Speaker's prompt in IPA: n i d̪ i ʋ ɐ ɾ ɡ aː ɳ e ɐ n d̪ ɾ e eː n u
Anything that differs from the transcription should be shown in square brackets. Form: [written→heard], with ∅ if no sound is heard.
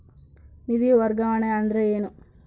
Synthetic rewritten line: n i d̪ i ʋ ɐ ɾ ɡ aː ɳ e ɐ n d̪ ɾ e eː n u